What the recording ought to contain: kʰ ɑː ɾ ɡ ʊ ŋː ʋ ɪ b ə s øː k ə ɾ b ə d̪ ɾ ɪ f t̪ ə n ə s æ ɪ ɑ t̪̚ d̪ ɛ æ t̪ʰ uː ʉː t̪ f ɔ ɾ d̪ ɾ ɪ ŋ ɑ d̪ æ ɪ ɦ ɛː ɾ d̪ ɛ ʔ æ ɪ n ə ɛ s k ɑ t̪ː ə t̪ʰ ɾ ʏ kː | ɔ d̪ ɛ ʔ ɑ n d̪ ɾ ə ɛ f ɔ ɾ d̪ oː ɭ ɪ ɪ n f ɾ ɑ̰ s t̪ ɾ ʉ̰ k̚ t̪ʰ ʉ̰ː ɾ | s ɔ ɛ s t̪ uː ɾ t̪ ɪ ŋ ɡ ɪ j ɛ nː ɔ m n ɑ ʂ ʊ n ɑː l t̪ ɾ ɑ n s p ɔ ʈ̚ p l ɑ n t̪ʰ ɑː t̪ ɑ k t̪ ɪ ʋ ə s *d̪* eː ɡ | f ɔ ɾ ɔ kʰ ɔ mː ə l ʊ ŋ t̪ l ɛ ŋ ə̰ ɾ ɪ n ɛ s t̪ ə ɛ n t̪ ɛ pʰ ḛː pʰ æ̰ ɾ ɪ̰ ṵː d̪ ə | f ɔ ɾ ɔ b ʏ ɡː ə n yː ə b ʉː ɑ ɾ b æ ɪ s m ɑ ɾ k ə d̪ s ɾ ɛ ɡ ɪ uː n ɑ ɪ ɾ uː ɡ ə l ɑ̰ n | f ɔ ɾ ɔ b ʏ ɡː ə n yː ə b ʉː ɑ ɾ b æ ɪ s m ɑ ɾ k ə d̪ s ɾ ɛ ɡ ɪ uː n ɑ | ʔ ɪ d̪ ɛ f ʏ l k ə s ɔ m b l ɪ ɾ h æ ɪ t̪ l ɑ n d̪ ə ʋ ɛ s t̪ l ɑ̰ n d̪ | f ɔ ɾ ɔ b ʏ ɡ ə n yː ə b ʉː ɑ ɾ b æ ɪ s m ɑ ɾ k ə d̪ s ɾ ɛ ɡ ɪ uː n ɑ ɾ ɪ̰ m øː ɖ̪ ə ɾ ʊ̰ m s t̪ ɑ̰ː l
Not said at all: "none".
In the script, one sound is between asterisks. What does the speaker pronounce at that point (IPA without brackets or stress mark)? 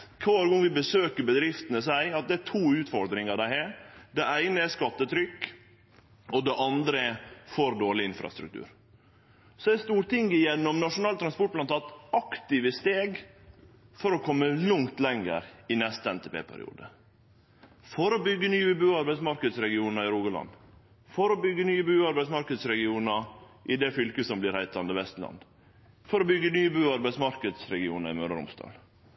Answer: t̪